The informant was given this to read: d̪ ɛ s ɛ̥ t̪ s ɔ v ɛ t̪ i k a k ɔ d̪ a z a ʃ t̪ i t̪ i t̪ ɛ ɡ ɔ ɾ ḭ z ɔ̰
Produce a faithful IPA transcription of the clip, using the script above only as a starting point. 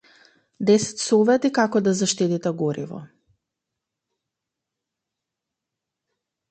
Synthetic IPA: d̪ ɛ s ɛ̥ t̪ s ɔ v ɛ t̪ i k a k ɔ d̪ a z a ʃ t̪ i t̪ i t̪ ɛ ɡ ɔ ɾ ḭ v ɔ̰